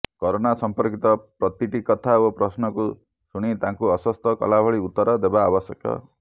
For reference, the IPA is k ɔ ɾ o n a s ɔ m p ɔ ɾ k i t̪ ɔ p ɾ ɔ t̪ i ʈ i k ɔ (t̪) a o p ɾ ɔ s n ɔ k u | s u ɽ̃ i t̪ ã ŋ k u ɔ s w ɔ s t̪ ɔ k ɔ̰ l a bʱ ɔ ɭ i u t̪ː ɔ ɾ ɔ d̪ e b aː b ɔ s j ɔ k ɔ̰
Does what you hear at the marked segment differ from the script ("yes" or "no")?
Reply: yes